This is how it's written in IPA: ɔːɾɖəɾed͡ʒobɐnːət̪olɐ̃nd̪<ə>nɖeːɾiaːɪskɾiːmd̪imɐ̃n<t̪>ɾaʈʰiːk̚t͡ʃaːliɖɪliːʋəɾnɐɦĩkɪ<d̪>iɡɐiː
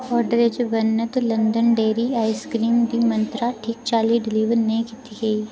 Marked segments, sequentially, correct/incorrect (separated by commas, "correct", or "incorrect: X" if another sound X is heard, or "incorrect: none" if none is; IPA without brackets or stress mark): correct, correct, incorrect: t̪